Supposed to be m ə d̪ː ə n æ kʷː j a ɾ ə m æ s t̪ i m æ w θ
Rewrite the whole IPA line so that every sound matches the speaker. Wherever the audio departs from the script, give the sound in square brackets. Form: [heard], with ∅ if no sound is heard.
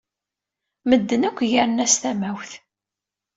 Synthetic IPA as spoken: m ə d̪ː ə n æ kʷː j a ɾ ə [n] æ s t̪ [æ] m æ w θ